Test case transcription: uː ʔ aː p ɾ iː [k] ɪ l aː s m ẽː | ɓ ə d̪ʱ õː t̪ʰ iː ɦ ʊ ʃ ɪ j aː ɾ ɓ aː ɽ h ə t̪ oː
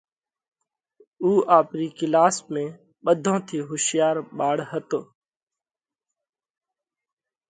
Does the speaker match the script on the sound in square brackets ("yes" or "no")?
yes